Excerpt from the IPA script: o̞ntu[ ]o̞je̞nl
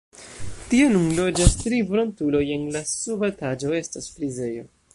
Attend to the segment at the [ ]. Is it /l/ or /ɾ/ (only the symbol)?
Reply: l